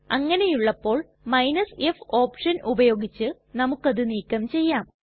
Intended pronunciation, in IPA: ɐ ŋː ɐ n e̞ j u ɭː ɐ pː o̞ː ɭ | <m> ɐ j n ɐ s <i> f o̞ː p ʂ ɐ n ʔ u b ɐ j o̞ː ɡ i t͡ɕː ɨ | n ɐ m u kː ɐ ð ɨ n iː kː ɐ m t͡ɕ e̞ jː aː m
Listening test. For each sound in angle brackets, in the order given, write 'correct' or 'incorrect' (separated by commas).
correct, incorrect